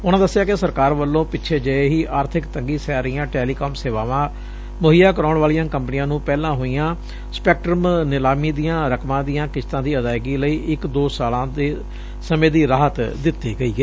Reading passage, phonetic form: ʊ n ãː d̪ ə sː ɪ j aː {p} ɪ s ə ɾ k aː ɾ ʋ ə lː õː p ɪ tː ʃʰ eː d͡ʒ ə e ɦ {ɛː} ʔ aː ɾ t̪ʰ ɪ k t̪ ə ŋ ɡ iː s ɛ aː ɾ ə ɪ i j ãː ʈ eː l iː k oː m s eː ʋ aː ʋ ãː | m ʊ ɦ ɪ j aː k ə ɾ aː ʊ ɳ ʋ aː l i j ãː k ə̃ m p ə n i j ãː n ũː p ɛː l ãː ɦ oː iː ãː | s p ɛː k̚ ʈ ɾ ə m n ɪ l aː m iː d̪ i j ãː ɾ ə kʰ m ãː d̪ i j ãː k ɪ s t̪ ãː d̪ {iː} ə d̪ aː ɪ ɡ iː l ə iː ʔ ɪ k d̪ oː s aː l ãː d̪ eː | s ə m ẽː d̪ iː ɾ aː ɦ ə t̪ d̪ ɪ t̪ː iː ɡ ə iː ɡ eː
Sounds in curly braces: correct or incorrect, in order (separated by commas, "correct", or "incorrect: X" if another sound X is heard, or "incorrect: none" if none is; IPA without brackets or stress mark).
incorrect: k, incorrect: iː, correct